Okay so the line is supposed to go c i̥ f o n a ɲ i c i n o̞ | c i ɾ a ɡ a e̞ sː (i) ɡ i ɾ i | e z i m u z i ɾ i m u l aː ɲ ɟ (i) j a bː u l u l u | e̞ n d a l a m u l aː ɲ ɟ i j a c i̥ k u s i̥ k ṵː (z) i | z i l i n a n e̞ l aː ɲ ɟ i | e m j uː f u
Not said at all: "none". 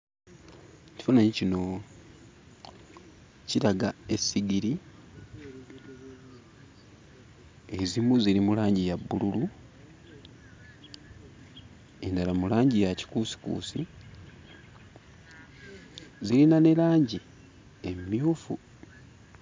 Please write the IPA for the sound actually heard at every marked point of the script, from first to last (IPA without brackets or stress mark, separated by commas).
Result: i, i, s